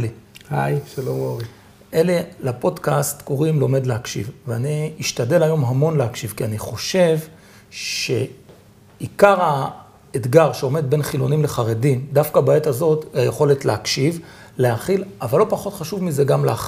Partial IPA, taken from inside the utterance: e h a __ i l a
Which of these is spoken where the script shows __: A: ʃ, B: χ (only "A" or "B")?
B